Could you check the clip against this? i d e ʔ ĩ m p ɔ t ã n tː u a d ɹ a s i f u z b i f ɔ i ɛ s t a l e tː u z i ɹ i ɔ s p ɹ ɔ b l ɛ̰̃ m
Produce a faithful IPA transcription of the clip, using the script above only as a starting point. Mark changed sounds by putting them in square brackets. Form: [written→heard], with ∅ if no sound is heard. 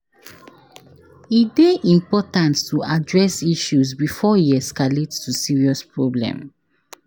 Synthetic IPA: i d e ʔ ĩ m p ɔ t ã n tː u a d ɹ [a→ɛ] s i [f→ʃ] u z b i f ɔ i ɛ s [t→k] a l e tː u [z→s] i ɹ i ɔ s p ɹ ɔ b l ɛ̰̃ m